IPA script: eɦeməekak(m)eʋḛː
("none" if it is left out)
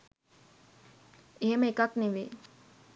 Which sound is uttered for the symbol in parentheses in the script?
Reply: n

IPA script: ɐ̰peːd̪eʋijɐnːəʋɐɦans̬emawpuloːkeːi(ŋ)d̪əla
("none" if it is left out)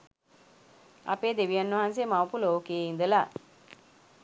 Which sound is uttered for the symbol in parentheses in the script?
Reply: n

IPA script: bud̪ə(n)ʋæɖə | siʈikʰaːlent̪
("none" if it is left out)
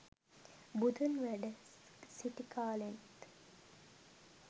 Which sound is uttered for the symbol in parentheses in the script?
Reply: n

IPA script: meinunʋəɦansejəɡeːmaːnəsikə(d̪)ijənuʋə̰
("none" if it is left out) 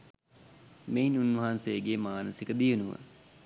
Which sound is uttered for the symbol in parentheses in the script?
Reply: d̪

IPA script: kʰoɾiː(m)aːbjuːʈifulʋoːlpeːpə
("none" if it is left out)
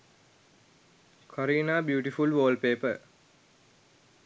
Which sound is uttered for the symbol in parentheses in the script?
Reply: n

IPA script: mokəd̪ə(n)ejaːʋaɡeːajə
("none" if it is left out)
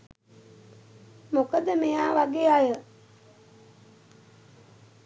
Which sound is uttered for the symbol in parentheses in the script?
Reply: m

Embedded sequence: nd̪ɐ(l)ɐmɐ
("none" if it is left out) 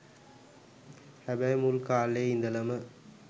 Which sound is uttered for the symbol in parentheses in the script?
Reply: l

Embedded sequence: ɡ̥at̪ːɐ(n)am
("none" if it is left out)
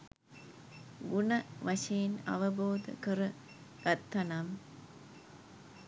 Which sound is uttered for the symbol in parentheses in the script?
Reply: n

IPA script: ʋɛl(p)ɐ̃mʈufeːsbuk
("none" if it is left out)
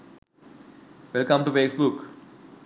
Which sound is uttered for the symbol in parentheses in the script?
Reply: k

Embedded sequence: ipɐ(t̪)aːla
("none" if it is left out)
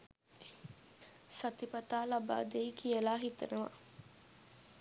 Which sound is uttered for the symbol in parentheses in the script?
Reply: t̪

